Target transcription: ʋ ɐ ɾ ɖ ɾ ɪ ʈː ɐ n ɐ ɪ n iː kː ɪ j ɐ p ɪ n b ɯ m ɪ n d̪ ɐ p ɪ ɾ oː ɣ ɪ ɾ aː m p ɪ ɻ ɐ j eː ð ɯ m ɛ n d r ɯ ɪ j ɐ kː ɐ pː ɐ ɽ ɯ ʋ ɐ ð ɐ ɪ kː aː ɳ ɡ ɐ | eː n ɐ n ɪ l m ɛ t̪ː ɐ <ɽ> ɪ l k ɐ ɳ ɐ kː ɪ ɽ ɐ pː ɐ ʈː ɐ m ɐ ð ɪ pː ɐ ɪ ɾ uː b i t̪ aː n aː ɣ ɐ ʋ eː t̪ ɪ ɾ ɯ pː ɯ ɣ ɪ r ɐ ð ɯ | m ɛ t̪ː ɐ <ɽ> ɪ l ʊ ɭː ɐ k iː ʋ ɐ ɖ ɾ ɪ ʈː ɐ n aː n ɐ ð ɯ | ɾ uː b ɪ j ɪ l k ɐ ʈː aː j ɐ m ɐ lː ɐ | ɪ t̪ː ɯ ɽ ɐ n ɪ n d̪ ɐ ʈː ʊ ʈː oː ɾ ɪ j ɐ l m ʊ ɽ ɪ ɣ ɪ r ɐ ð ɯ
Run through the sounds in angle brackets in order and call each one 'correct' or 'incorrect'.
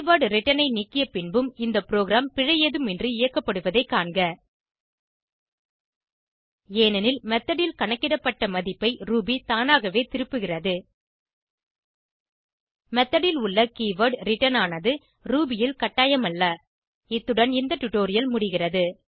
correct, correct

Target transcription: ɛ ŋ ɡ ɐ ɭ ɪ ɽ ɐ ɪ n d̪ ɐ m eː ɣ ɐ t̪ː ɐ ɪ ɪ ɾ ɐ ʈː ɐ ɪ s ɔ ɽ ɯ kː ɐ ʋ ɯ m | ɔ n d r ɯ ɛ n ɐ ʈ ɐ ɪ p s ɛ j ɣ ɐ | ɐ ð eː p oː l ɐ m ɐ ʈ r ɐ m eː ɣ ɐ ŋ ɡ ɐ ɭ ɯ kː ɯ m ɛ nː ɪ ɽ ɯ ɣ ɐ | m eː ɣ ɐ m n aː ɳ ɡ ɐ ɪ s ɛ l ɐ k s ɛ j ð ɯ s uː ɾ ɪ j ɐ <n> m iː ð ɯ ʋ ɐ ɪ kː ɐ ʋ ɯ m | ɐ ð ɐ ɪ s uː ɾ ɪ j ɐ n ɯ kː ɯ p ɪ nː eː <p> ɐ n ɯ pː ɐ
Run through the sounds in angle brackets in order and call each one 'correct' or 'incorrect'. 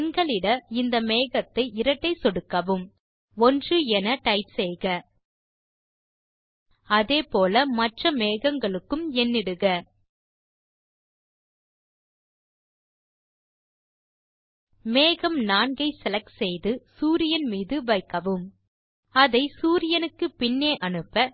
correct, incorrect

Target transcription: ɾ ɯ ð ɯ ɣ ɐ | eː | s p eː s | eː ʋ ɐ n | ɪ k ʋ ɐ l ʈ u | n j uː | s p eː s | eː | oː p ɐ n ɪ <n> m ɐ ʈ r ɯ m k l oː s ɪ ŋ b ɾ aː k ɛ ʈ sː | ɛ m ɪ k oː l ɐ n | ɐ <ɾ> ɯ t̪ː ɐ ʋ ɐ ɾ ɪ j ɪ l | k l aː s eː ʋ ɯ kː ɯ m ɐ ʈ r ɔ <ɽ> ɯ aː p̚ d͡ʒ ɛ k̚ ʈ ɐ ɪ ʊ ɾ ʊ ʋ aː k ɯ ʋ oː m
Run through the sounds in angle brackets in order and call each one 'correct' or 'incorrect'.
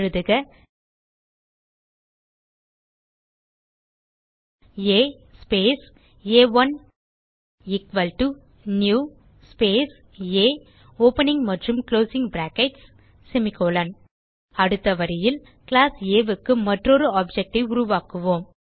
incorrect, incorrect, incorrect

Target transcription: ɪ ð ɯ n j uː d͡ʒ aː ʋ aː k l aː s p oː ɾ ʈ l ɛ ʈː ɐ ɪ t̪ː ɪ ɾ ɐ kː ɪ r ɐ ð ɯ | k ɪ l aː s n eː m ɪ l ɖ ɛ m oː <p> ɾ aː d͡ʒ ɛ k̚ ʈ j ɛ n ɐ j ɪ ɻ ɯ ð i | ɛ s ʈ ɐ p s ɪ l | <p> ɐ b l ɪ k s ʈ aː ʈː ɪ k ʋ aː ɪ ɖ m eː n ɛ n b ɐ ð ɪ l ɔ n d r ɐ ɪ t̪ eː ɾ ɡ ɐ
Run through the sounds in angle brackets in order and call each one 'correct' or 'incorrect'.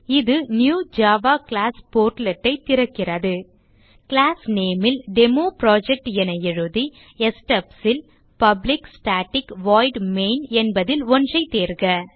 correct, correct

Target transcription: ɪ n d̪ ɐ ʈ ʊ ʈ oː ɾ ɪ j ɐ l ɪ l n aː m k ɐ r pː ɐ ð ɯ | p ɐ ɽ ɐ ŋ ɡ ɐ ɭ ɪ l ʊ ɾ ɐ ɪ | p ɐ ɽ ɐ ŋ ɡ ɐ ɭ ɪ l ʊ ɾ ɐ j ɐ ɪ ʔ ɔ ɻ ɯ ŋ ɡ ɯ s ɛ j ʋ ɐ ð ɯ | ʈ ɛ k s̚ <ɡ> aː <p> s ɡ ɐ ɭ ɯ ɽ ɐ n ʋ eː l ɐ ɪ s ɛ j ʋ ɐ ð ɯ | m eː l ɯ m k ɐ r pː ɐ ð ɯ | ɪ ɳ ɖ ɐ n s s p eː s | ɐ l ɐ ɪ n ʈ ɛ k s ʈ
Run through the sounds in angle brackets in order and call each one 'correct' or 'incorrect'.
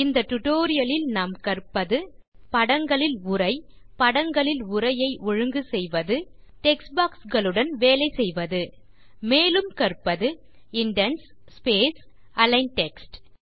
incorrect, incorrect

